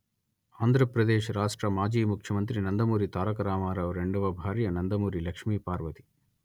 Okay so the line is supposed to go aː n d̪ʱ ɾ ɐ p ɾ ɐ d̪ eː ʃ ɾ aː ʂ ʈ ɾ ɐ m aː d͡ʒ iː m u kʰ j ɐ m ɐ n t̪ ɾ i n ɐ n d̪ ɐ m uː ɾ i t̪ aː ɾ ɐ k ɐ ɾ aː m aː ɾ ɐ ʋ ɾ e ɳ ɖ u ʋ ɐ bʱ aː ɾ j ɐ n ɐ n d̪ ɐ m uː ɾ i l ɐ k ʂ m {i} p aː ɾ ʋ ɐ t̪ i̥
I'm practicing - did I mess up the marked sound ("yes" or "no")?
yes